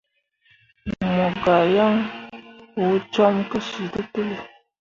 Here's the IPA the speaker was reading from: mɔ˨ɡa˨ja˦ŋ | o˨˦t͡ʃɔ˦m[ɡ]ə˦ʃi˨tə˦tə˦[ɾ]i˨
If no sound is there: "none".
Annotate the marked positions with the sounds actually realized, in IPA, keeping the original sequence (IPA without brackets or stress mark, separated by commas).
k, l